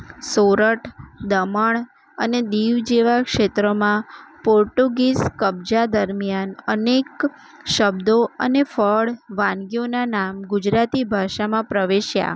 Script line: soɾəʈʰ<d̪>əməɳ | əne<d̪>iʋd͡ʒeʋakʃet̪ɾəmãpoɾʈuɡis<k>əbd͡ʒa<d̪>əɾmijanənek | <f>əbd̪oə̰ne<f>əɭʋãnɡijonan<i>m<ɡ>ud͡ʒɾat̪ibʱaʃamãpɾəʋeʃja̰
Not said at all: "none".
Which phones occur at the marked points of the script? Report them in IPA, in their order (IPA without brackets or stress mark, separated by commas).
d̪, d̪, k, d̪, ʃ, f, a, ɡ